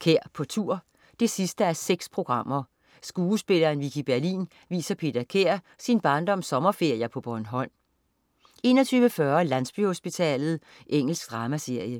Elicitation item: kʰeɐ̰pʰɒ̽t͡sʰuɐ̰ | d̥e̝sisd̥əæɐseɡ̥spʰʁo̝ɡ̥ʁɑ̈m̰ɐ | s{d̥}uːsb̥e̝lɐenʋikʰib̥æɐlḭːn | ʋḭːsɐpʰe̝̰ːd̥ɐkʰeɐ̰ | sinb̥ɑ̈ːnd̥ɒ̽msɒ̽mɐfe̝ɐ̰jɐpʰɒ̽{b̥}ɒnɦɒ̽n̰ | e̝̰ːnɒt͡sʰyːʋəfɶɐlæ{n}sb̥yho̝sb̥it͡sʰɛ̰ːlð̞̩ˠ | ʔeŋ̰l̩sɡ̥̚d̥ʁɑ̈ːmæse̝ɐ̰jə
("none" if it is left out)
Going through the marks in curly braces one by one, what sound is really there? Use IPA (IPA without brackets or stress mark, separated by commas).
ɡ̥, b̥, n